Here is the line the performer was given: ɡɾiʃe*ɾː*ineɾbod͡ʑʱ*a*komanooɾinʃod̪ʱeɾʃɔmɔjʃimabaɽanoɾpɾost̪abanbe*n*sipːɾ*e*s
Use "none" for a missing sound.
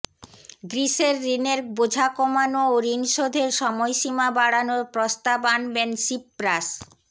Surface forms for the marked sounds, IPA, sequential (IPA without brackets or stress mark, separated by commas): ɾː, a, n, a